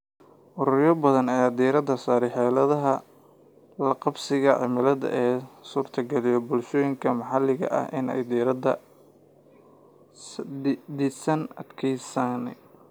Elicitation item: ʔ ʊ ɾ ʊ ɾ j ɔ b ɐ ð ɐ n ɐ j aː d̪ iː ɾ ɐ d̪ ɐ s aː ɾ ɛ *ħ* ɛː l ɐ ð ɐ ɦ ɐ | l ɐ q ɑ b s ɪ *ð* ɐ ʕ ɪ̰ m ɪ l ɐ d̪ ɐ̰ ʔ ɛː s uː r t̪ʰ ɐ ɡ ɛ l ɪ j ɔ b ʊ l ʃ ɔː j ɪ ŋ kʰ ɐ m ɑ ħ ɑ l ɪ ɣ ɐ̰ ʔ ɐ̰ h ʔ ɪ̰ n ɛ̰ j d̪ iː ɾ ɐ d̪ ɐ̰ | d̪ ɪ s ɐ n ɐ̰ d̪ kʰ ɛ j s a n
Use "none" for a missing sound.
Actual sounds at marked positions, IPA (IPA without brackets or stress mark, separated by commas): ħ, ɣ